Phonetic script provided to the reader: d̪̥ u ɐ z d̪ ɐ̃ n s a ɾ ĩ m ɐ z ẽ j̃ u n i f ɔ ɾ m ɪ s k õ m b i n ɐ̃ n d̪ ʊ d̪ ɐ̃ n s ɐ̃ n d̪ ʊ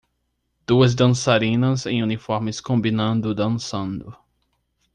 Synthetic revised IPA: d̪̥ u ɐ z d̪ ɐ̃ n s a ɾ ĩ n ɐ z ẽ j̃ u n i f ɔ ɾ m ɪ s k õ m b i n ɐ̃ n d̪ ʊ d̪ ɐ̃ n s ɐ̃ n d̪ ʊ